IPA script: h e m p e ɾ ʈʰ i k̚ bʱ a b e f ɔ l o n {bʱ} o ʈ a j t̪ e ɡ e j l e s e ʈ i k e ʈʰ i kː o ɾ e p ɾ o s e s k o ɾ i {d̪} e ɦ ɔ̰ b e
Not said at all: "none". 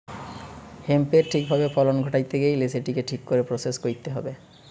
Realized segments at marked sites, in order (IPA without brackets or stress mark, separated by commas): ɡʱ, t̪